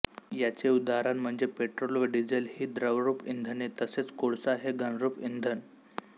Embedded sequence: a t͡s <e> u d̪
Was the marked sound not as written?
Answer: no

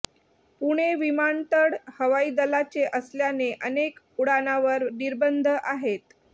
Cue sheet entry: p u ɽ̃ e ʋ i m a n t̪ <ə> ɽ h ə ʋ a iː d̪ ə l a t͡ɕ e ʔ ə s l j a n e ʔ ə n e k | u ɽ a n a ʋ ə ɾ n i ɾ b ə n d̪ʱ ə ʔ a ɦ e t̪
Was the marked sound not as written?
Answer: no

